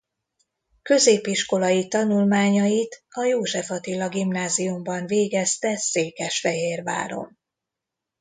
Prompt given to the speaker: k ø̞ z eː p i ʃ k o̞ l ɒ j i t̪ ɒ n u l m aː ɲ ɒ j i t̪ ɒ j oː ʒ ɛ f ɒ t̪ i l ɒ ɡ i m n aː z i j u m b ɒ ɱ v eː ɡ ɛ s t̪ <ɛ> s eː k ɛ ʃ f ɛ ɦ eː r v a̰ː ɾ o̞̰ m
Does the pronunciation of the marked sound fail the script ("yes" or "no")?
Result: no